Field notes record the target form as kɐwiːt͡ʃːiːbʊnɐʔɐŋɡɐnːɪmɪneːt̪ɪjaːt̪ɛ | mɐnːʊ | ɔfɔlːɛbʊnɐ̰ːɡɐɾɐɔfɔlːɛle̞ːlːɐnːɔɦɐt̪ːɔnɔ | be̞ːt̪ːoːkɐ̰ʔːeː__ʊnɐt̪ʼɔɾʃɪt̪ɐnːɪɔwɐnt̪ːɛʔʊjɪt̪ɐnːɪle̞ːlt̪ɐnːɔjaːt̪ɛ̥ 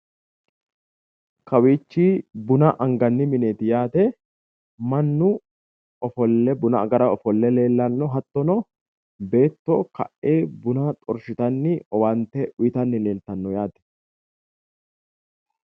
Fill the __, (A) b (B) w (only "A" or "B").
A